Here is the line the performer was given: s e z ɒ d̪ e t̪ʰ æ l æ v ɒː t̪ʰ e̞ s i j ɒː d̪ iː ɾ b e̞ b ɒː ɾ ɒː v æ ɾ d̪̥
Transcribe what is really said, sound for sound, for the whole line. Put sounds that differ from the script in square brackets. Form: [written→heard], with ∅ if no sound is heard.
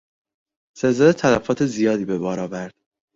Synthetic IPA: s e z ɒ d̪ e t̪ʰ æ l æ [v→f] ɒː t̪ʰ e̞ [s→z] i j ɒː d̪ iː [ɾ→∅] b e̞ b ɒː ɾ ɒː v æ ɾ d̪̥